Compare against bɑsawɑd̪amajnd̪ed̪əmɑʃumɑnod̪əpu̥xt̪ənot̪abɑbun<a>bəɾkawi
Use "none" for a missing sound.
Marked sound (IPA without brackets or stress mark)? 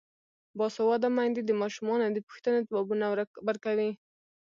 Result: a